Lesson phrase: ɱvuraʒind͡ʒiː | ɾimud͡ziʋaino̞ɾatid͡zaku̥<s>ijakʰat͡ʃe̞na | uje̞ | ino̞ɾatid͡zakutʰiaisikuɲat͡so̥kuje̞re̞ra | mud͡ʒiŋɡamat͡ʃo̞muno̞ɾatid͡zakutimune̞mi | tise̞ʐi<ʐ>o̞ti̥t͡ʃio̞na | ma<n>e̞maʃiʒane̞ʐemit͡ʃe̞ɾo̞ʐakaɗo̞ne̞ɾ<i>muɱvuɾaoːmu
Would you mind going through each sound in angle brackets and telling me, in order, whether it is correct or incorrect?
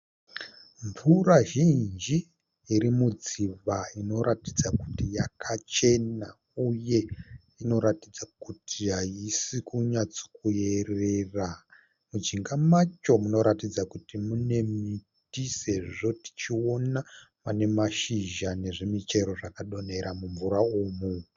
incorrect: t, correct, correct, incorrect: a

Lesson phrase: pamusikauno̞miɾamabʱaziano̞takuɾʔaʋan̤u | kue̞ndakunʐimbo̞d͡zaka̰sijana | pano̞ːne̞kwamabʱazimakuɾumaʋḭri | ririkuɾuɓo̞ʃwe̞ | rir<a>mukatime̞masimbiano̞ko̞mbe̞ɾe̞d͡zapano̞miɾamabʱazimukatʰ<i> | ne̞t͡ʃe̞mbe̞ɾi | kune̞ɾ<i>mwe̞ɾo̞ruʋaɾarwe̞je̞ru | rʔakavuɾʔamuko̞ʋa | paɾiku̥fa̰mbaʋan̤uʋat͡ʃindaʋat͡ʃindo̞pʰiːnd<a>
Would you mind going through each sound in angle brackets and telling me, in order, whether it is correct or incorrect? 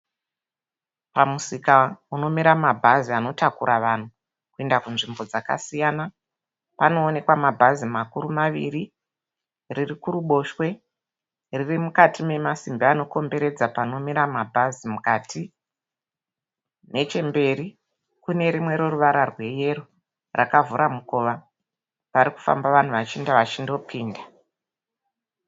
incorrect: i, correct, correct, correct

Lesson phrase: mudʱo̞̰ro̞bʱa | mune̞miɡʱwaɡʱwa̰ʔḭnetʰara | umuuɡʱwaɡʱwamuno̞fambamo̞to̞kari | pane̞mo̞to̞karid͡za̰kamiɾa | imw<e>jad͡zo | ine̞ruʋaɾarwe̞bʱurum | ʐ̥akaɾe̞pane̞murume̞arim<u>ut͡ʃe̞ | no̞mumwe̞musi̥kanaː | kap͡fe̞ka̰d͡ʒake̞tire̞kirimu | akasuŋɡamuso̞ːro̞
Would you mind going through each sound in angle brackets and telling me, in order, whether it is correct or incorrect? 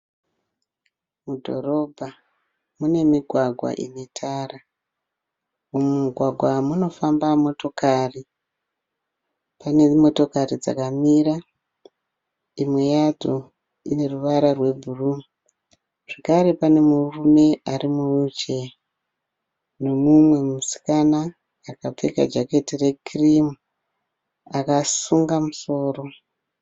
correct, correct

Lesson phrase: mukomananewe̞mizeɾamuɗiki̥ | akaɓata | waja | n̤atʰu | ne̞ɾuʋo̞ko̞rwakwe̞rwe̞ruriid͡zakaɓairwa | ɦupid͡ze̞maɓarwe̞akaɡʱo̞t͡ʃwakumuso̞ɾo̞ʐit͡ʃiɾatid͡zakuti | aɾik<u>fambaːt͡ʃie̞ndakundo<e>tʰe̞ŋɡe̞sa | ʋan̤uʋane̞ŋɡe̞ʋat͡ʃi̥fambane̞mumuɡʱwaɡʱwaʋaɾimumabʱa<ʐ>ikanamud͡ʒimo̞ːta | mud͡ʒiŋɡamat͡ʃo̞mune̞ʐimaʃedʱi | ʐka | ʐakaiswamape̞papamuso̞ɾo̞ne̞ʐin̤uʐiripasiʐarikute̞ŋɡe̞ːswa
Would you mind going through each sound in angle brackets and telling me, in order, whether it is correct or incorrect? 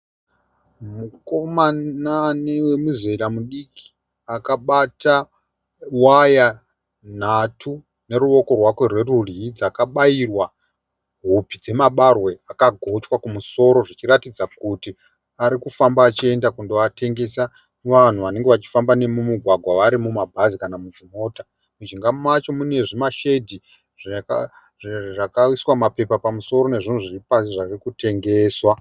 correct, incorrect: a, incorrect: z

